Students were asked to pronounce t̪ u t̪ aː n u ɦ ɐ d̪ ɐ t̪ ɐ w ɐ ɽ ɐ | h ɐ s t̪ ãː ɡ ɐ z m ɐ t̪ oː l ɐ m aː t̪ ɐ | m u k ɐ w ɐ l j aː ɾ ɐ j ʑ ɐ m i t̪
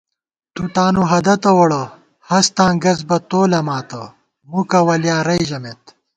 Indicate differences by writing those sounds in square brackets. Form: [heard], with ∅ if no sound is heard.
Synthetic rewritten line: t̪ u t̪ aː n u ɦ ɐ d̪ ɐ t̪ ɐ w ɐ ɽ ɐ | h ɐ s t̪ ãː ɡ ɐ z [b] ɐ t̪ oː l ɐ m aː t̪ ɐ | m u k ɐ w ɐ l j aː ɾ ɐ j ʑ ɐ m [e] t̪